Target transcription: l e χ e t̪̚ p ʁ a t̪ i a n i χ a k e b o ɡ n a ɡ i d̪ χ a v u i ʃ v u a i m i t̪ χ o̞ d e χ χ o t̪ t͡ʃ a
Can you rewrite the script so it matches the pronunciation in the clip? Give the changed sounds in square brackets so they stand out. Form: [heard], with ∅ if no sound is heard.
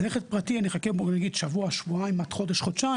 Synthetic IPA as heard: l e χ e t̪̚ p ʁ a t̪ i a n i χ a k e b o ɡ n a ɡ i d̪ [ʃ] a v u [a] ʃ v u a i m [a] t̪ χ o̞ d e [ʃ] χ o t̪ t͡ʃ a